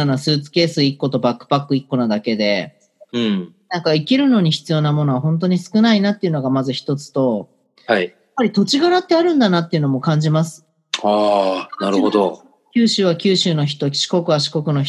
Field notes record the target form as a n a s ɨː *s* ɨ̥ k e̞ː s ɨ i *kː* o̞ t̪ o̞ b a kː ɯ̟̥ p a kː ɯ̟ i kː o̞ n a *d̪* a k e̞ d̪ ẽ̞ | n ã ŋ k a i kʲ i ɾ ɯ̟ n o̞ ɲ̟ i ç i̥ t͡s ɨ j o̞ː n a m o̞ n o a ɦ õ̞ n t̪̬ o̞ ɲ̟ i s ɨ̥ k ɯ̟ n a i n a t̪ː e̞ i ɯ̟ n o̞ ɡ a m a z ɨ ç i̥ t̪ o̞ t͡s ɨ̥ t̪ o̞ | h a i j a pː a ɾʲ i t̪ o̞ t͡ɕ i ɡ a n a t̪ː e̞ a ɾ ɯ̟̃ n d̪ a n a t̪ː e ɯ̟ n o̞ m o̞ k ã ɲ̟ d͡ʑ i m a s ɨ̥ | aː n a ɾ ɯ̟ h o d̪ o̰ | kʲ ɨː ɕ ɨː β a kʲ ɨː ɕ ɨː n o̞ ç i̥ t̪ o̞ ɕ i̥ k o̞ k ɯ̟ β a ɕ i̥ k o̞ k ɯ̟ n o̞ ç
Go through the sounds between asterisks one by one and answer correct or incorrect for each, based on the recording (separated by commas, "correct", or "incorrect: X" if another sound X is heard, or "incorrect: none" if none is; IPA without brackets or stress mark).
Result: incorrect: t͡s, correct, correct